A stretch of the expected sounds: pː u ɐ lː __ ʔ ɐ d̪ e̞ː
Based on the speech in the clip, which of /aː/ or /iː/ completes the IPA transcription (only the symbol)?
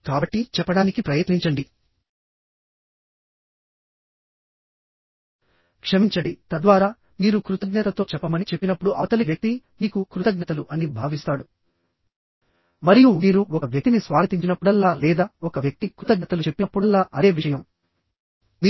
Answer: aː